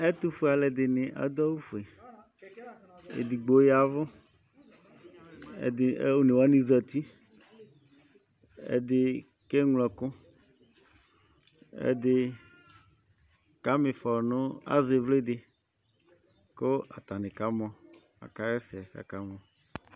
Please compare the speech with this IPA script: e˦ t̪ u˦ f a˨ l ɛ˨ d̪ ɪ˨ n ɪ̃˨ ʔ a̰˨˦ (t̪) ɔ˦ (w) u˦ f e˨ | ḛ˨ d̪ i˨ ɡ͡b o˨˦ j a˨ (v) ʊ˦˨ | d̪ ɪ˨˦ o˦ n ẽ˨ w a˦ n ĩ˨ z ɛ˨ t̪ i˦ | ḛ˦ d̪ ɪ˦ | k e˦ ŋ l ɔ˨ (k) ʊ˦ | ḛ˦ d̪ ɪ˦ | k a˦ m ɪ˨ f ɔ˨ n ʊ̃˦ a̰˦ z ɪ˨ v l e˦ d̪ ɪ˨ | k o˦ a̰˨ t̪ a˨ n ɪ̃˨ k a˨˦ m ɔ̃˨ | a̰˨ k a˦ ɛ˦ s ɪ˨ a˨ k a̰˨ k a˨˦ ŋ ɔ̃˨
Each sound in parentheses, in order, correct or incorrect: incorrect: d̪, correct, correct, correct

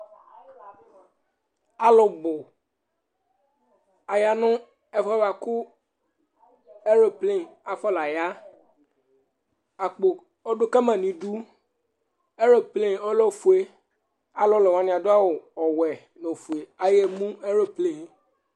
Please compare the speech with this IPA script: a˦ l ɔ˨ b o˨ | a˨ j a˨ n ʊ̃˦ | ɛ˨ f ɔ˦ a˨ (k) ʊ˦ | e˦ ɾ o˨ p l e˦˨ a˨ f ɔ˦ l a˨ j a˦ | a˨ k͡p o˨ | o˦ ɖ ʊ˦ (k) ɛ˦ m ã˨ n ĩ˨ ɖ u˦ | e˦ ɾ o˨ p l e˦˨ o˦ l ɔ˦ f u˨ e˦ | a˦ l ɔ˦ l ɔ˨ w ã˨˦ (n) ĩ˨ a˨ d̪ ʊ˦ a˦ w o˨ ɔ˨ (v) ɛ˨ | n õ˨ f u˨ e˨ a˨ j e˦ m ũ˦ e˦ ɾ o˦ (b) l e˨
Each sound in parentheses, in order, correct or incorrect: correct, correct, correct, incorrect: w, incorrect: p

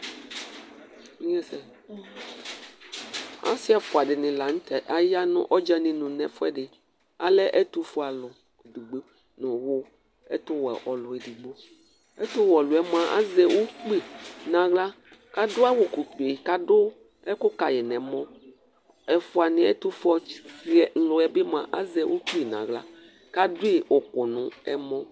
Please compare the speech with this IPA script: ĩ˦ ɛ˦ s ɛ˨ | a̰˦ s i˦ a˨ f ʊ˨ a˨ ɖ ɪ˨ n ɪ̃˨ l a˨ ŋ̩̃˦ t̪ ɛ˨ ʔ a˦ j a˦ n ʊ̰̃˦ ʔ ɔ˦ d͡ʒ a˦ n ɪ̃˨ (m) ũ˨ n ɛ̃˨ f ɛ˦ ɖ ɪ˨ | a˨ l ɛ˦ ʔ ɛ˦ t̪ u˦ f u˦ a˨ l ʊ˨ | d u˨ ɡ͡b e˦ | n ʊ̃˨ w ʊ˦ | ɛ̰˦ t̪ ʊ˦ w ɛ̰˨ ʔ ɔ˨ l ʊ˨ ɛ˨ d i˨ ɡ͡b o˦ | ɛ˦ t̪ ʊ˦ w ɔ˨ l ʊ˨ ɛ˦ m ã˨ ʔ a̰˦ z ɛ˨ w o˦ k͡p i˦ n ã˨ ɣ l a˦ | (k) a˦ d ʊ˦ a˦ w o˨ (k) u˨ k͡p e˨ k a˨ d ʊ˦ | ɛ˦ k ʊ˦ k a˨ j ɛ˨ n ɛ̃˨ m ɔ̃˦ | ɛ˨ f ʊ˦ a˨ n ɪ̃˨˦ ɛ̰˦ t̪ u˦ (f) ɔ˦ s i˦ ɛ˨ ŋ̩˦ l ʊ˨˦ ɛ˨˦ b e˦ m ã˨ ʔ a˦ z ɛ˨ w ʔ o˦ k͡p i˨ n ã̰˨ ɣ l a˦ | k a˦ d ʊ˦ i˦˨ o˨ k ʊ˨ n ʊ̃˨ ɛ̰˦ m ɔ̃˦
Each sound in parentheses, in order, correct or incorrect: incorrect: n, correct, correct, correct

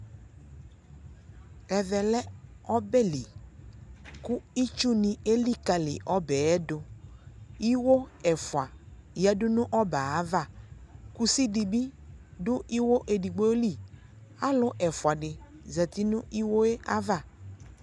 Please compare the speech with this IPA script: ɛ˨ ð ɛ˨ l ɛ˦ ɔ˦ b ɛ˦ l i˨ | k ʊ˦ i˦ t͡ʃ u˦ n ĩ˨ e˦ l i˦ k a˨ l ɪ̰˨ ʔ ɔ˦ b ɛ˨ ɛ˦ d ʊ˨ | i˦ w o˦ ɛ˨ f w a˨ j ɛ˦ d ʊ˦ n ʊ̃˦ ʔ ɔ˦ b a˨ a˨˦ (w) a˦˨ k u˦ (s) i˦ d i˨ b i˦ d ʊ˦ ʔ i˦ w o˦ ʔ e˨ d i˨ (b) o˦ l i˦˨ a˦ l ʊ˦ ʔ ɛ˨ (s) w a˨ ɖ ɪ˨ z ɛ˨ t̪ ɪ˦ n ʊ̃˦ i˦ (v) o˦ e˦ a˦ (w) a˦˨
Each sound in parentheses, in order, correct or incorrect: incorrect: v, correct, incorrect: ɡ͡b, incorrect: f, incorrect: w, incorrect: v

